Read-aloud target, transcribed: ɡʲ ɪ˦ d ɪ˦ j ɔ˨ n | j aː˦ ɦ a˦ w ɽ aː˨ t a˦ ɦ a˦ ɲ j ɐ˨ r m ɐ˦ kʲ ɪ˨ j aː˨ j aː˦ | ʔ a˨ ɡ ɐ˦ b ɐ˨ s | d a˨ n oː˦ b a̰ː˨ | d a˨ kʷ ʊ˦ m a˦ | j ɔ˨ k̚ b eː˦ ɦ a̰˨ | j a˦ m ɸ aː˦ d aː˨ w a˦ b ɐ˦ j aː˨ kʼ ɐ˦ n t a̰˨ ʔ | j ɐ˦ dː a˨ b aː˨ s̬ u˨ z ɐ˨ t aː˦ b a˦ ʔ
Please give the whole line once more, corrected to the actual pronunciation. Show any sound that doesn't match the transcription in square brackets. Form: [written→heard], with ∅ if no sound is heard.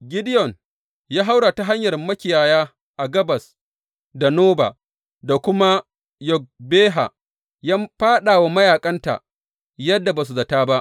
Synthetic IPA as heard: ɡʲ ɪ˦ d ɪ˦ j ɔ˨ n | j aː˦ ɦ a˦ w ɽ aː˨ t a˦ ɦ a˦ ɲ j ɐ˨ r m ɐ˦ kʲ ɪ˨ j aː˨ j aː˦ | ʔ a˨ ɡ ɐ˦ b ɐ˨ s | d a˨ n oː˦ b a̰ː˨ | d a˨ kʷ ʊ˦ m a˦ | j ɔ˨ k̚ b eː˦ ɦ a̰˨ | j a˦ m ɸ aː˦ [d→ɗ] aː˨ w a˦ [b→m] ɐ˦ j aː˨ kʼ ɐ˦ n t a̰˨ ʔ | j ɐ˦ dː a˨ b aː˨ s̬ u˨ z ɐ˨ t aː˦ b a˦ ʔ